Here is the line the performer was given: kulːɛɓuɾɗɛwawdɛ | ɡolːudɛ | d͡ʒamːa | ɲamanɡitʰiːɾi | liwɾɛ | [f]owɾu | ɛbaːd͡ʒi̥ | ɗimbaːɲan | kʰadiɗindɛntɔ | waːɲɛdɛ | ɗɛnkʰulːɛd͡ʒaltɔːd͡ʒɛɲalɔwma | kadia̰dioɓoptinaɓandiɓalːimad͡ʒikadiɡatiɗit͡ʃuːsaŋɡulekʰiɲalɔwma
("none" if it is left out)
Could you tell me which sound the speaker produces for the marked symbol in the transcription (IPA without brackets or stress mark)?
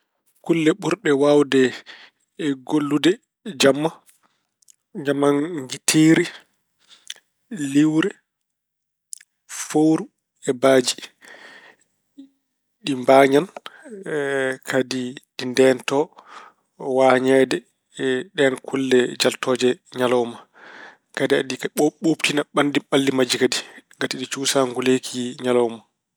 f